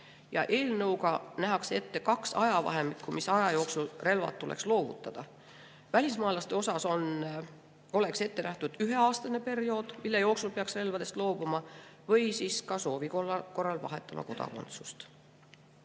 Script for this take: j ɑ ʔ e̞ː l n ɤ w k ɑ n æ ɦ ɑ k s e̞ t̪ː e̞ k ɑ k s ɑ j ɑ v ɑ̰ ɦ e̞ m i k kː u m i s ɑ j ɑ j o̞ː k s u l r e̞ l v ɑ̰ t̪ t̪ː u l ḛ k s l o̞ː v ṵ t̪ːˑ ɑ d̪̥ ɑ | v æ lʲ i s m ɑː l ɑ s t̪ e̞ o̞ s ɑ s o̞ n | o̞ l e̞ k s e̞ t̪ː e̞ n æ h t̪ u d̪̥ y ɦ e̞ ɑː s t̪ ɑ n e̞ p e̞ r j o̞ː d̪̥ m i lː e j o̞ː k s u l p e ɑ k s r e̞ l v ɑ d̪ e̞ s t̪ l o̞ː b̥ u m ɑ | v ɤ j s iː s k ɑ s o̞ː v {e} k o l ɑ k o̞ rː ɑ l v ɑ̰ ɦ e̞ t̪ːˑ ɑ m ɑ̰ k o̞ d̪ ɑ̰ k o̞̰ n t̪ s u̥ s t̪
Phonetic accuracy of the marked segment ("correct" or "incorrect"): incorrect